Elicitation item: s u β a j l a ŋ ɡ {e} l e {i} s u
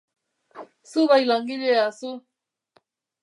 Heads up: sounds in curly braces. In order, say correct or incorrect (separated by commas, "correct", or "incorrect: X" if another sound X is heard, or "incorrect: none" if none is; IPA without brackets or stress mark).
incorrect: i, incorrect: a